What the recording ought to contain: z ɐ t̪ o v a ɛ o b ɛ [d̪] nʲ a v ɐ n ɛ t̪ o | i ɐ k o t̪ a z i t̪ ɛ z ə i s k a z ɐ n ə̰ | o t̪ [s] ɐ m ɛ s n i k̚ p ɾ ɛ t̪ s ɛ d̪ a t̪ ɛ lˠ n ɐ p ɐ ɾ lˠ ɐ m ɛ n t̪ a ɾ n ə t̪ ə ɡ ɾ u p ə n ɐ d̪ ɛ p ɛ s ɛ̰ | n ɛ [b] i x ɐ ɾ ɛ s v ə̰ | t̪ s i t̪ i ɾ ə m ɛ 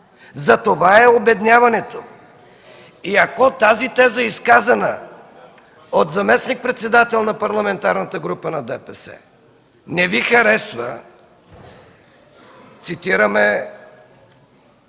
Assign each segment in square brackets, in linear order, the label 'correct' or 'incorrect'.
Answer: correct, incorrect, incorrect

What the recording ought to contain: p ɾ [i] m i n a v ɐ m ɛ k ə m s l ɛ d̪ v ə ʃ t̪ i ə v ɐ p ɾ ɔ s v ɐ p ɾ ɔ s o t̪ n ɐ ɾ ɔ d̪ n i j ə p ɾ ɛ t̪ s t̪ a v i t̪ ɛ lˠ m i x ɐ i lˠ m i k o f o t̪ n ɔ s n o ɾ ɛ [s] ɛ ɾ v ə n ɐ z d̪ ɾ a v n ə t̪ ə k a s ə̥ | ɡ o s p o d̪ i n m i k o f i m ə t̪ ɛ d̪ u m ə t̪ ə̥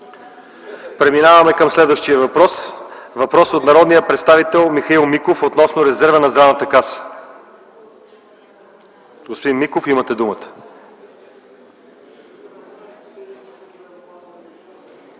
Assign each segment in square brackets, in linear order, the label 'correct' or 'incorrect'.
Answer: incorrect, incorrect

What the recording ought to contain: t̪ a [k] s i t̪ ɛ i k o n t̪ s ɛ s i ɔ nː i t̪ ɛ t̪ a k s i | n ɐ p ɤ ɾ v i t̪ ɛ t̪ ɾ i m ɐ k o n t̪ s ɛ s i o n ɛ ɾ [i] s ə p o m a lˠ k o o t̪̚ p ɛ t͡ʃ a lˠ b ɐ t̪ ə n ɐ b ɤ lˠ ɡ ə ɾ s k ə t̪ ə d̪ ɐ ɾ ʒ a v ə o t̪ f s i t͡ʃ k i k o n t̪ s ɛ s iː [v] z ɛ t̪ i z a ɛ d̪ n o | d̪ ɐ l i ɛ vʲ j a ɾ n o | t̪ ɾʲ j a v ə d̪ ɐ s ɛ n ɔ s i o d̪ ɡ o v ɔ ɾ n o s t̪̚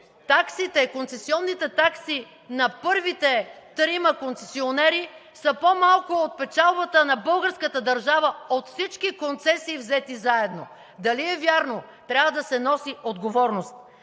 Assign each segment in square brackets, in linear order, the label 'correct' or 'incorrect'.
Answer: correct, correct, correct

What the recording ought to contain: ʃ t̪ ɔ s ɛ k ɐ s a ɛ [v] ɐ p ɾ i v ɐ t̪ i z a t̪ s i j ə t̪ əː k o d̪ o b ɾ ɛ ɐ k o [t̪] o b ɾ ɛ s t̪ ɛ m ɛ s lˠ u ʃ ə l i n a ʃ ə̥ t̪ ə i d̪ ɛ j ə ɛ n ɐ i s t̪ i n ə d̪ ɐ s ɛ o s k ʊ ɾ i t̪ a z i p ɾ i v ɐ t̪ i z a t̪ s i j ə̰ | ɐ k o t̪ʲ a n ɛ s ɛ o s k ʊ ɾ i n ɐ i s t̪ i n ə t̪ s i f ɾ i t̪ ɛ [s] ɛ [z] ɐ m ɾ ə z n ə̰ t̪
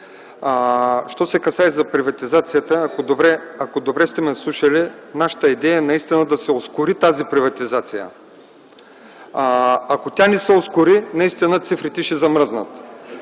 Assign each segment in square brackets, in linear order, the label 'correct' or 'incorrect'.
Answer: incorrect, incorrect, incorrect, correct

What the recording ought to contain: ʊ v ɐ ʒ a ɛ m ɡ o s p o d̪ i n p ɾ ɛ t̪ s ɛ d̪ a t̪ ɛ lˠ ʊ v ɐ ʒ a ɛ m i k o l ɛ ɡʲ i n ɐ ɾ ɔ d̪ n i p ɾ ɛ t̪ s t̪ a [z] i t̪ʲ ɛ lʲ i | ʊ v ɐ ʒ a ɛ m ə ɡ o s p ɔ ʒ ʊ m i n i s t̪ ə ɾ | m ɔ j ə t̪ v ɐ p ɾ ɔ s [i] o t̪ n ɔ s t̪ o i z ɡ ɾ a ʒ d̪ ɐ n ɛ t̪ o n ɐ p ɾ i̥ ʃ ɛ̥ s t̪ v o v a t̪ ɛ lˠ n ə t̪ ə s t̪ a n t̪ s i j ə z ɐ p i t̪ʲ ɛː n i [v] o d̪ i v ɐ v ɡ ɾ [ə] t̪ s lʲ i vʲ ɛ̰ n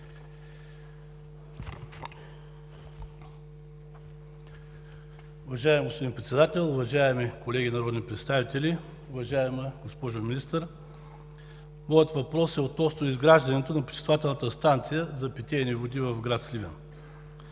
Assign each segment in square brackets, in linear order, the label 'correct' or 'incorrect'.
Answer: incorrect, incorrect, correct, incorrect

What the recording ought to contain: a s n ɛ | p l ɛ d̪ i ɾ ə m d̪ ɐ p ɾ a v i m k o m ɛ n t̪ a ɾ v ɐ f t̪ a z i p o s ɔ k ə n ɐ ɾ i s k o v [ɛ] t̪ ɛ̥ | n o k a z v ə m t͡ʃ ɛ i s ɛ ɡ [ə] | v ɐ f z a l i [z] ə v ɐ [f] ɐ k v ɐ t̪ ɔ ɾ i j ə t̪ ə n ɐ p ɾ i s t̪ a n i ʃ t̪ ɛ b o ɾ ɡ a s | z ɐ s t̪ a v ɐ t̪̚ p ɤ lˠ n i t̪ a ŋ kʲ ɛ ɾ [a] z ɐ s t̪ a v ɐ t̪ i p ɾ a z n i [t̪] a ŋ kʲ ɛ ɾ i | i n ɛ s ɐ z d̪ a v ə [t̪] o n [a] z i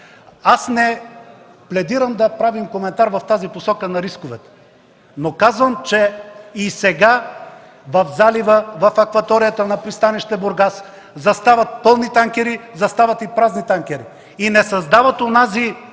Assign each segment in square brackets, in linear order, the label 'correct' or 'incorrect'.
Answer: correct, incorrect, incorrect, correct, incorrect, correct, correct, correct

